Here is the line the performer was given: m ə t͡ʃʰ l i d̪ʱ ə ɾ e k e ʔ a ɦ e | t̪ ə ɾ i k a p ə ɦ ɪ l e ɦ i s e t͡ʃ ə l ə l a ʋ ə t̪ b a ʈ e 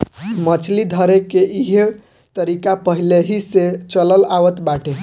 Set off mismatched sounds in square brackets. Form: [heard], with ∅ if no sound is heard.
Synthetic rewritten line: m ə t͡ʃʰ l i d̪ʱ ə ɾ e k e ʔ [i] ɦ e | t̪ ə ɾ i k a p ə ɦ [i] l e ɦ i s e t͡ʃ ə l ə l a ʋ ə t̪ b a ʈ e